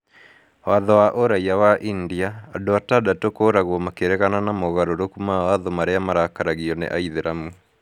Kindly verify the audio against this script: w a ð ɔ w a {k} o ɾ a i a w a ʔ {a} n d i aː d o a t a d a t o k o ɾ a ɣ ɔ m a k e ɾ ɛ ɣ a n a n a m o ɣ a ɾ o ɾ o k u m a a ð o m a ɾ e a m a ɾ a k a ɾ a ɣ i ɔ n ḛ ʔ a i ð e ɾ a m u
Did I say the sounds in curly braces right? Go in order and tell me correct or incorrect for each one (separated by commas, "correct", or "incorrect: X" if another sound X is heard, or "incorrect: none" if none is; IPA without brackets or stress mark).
incorrect: ʔ, incorrect: i